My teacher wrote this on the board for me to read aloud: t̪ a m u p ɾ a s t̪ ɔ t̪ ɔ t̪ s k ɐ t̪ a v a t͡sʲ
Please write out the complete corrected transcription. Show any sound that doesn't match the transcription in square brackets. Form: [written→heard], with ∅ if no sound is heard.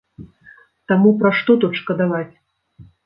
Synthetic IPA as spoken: t̪ a m u p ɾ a [s→ʂ] t̪ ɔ t̪ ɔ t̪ [s→ʂ] k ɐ [t̪→d̪] a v a t͡sʲ